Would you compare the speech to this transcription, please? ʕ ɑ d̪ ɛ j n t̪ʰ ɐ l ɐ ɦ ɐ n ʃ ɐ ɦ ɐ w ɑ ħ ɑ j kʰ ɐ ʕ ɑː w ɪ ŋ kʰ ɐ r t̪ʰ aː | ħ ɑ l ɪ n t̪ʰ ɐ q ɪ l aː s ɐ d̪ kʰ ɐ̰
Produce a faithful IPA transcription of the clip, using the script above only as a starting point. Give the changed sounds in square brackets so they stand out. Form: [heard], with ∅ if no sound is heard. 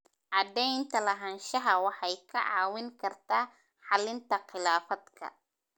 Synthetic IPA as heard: ʕ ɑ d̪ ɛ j n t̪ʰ ɐ l ɐ ɦ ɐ n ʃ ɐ ɦ ɐ w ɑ ħ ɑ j kʰ ɐ ʕ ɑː w ɪ ŋ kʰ ɐ r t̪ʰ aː | ħ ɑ l ɪ n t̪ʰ ɐ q ɪ l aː [f] ɐ d̪ kʰ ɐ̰